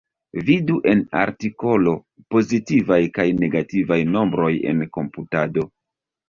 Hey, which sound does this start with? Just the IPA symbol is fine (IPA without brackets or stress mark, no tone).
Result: v